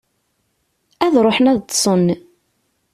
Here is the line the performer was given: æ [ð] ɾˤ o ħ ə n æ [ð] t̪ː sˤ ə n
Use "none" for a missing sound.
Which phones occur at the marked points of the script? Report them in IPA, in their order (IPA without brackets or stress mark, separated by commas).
ð, ð